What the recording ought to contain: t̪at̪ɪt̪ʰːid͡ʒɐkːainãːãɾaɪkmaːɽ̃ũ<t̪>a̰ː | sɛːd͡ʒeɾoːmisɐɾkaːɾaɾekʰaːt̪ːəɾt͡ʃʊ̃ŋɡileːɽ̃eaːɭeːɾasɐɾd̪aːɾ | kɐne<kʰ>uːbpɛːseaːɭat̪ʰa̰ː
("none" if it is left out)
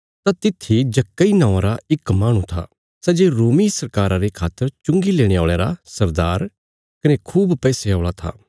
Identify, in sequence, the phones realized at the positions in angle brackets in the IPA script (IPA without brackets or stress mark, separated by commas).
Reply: t̪ʰ, kʰ